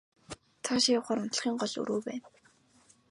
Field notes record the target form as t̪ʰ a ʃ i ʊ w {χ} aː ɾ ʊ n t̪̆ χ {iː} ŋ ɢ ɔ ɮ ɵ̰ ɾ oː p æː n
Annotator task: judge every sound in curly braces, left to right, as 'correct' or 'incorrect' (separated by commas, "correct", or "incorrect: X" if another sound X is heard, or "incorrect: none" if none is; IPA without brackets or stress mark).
correct, correct